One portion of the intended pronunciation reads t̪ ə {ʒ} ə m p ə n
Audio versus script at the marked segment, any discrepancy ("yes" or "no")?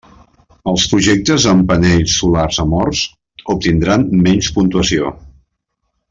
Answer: yes